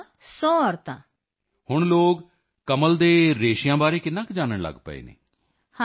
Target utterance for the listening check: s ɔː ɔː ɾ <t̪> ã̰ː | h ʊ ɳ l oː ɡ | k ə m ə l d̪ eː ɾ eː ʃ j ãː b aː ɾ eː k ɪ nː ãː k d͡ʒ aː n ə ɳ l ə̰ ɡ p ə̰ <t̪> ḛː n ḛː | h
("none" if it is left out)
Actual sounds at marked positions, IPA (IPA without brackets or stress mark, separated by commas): t̪, none